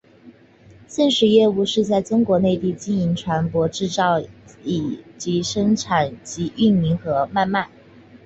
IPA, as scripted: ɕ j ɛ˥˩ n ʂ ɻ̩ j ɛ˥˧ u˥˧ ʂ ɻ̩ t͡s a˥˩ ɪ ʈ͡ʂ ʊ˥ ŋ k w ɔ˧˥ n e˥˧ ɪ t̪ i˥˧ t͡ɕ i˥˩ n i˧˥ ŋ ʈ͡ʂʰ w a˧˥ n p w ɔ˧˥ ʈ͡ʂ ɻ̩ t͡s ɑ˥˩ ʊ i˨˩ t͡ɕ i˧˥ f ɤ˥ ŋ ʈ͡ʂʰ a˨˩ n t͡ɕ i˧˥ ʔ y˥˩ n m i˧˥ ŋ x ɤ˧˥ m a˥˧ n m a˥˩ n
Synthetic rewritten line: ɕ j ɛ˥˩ n ʂ ɻ̩ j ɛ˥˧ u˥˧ ʂ ɻ̩ t͡s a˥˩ ɪ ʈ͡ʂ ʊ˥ ŋ k w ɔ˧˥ n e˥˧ ɪ t̪ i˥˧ t͡ɕ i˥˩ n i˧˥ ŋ ʈ͡ʂʰ w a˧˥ n p w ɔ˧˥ ʈ͡ʂ ɻ̩ t͡s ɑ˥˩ ʊ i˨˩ t͡ɕ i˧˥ ʂ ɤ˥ ŋ ʈ͡ʂʰ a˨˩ n t͡ɕ i˧˥ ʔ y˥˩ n m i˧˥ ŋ x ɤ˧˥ m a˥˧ n m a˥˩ n